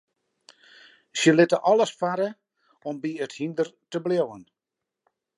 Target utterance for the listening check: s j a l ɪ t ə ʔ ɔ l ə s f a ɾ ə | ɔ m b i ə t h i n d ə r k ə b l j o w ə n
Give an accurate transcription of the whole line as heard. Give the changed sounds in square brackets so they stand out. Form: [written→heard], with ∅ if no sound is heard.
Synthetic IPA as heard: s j [a→ə] l ɪ t ə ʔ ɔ l ə s f a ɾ ə | ɔ m b i ə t h i n d ə r [k→t] ə b l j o w ə n